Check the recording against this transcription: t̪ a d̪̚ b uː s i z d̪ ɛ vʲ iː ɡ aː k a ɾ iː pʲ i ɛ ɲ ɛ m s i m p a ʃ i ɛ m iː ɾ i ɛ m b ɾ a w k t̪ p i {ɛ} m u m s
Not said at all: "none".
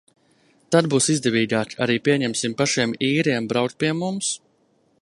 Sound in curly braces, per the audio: ɛ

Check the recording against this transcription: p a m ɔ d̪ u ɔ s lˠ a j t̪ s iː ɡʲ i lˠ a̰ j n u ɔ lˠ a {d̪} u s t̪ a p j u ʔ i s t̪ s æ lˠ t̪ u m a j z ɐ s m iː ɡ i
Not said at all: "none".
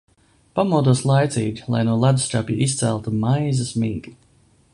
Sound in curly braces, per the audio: d̪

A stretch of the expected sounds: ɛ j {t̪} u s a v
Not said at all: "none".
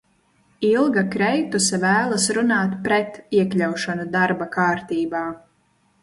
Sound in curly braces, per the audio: t̪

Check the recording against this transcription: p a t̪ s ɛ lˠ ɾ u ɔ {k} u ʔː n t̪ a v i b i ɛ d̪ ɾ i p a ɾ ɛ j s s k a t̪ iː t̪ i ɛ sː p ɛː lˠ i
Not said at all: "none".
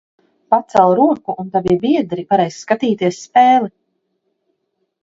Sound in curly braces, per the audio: k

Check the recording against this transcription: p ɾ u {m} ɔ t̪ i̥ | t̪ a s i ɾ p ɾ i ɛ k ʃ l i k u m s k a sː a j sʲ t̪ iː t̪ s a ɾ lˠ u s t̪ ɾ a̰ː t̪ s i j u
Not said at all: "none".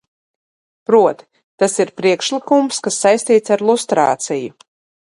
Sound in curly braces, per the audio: none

